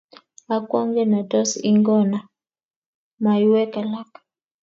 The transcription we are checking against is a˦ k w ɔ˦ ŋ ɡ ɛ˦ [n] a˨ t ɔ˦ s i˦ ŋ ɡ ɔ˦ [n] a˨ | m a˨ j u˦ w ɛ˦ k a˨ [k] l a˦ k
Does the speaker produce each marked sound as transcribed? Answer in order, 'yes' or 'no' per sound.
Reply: yes, yes, no

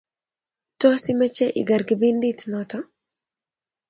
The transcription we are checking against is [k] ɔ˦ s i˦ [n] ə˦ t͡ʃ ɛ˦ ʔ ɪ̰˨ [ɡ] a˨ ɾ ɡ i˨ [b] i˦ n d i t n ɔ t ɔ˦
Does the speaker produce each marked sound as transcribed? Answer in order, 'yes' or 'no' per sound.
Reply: no, no, yes, yes

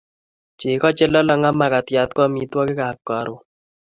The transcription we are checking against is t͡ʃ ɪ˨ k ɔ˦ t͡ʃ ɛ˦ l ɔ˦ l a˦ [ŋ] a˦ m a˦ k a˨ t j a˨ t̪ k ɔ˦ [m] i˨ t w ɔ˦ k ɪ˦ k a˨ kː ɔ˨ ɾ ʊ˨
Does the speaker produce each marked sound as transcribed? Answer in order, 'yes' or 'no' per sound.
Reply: yes, yes

